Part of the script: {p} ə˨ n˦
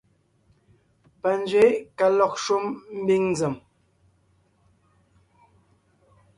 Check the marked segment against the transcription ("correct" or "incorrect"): correct